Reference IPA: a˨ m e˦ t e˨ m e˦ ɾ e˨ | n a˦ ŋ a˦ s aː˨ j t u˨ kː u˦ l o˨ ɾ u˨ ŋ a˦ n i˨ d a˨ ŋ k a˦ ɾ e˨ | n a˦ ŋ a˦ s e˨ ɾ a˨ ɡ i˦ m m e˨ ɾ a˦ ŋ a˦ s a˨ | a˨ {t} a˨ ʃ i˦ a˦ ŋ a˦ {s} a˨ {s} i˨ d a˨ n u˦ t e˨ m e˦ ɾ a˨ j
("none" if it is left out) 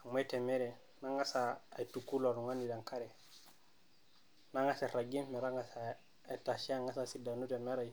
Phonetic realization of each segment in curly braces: t, s, s

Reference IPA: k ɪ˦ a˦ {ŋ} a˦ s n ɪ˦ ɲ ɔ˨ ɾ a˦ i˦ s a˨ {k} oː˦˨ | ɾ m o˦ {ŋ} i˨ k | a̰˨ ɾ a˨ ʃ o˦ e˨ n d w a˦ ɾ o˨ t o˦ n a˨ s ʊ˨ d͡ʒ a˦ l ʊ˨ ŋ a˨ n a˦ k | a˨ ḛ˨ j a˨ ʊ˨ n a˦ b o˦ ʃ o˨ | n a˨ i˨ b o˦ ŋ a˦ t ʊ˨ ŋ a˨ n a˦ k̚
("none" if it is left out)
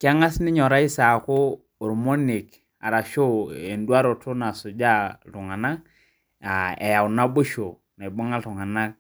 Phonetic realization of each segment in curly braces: ŋ, k, n

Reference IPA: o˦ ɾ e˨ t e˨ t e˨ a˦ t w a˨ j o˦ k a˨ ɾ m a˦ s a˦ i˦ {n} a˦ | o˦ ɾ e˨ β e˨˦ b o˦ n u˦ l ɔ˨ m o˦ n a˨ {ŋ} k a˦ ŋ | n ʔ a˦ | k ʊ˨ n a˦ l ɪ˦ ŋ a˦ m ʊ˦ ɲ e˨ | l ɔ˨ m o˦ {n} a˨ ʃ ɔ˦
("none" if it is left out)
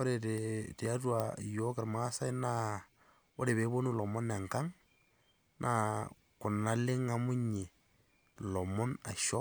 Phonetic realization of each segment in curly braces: n, ŋ, n

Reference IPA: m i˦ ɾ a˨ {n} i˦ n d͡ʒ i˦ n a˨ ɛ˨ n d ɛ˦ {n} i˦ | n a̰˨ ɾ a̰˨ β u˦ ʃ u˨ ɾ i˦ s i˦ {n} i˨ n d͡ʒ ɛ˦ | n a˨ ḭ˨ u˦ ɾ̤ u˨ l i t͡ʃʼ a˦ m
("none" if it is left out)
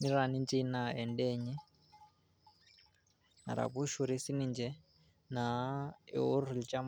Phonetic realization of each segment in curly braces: n, ɲ, n

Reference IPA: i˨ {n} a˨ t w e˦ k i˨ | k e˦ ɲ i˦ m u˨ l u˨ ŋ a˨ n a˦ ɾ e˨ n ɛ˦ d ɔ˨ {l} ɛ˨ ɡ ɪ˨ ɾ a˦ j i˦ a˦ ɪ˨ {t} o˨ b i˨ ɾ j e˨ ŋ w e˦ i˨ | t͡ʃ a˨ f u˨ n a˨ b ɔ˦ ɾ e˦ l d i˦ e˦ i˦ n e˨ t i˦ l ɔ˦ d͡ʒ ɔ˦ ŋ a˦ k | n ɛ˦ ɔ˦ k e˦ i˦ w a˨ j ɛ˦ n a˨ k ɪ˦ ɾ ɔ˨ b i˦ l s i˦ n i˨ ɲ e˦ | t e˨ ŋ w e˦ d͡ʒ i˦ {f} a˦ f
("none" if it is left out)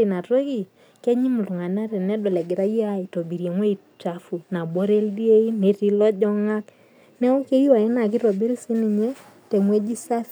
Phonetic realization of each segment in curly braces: n, l, t, s

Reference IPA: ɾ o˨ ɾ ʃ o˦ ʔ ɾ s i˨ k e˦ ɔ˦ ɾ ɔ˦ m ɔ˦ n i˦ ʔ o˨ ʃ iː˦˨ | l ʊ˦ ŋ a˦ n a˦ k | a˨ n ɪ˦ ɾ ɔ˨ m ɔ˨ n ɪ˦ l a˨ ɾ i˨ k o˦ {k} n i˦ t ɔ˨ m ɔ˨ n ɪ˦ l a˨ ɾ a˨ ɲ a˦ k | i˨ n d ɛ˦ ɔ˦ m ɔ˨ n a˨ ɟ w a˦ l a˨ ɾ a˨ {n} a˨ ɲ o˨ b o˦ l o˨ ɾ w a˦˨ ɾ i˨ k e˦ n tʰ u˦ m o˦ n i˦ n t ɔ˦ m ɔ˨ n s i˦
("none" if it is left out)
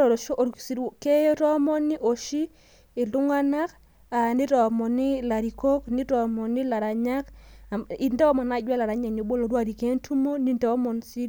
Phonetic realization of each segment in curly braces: k, ɲ

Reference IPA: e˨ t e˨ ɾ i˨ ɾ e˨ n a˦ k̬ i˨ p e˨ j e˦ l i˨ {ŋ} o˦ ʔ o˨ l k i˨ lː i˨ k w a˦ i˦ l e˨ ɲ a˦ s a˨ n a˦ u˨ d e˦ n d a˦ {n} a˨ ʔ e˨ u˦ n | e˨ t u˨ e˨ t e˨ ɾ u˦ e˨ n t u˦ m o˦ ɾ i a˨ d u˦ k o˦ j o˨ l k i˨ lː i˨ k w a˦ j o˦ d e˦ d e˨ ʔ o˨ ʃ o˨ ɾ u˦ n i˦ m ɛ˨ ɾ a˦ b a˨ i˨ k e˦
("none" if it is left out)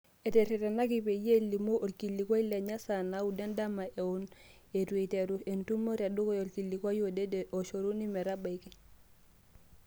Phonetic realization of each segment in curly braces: m, m

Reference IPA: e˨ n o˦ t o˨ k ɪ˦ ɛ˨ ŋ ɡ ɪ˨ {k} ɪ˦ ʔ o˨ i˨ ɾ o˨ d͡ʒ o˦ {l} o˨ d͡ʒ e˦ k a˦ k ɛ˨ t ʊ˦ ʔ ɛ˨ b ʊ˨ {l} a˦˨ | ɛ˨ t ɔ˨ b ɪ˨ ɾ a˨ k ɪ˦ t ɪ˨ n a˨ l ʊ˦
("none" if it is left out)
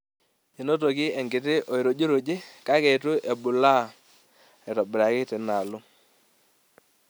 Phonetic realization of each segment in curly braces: t, ɾ, l

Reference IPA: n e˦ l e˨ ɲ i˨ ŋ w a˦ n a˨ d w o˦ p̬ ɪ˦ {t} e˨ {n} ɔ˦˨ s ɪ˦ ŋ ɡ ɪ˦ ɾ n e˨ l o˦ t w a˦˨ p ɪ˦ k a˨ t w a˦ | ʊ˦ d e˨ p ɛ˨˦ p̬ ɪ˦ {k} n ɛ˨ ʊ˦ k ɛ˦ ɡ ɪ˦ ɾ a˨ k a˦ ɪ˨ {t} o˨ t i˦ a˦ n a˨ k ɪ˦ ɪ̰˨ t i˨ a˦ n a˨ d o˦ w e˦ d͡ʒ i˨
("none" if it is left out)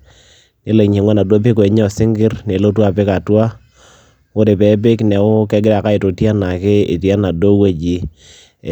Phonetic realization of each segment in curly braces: k, ɲ, k, t

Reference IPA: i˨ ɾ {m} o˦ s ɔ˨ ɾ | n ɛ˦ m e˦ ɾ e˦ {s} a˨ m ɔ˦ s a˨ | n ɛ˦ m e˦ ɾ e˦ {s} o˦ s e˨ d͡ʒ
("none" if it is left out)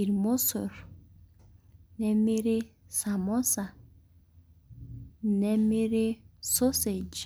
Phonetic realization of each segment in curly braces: m, s, s

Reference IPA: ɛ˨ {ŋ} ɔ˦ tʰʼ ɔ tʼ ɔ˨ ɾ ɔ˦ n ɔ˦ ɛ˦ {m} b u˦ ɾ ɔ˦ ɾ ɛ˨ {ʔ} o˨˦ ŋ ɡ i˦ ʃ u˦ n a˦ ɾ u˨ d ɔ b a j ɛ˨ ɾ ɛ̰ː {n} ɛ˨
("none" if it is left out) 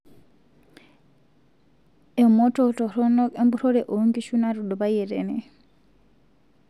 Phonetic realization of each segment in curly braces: m, m, ʔ, n

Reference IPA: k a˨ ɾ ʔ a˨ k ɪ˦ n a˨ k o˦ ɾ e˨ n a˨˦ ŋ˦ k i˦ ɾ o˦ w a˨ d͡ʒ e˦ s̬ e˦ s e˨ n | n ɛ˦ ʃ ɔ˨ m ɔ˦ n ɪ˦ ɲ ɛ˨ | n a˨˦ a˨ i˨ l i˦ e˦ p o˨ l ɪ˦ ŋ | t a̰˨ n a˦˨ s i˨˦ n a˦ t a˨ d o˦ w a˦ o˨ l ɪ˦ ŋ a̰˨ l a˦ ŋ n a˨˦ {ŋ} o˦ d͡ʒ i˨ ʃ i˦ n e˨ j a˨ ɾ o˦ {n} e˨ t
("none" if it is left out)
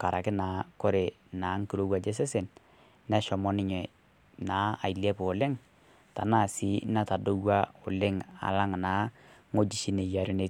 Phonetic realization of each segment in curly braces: ŋ, n

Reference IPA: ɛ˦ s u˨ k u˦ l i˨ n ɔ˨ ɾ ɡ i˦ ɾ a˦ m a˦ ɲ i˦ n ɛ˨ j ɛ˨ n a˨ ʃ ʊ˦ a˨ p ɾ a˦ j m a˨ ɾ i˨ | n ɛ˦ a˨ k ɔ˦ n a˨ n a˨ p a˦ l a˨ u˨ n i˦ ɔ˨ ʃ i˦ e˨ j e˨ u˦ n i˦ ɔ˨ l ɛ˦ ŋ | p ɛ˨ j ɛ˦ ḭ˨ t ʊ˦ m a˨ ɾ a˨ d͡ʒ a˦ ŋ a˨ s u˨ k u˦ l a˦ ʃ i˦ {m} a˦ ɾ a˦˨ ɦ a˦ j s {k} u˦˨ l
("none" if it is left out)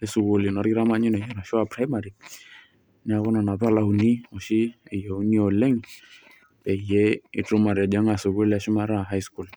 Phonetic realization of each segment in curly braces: m, k

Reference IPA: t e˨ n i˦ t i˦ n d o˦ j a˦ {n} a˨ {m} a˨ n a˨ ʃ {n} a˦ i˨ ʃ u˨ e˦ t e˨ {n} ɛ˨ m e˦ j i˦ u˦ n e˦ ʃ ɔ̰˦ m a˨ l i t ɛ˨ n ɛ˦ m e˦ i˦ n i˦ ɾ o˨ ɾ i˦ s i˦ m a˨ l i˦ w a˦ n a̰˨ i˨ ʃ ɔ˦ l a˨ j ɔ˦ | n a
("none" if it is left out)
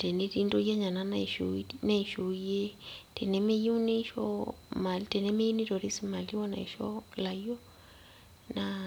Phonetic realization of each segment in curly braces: ɲ, n, n, n

